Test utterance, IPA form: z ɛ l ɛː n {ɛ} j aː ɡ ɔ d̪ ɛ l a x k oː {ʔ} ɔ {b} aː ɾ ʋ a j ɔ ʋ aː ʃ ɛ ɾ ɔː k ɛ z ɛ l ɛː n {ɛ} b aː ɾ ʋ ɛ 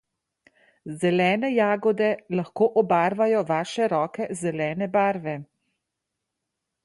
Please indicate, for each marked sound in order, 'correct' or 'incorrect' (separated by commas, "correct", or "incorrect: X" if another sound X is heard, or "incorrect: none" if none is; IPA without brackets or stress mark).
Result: correct, correct, correct, correct